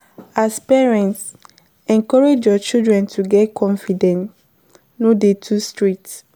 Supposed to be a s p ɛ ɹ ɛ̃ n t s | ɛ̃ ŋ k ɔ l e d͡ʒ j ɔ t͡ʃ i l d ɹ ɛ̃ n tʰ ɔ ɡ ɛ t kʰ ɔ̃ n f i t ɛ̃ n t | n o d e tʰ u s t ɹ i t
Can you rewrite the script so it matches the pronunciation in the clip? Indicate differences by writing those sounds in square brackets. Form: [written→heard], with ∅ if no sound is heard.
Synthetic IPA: a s p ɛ ɹ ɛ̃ n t s | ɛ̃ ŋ k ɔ [l→ɹ] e d͡ʒ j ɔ t͡ʃ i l d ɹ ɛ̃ n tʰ [ɔ→u] ɡ ɛ t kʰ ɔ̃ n f i [t→d] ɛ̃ n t | n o d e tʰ u s t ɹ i t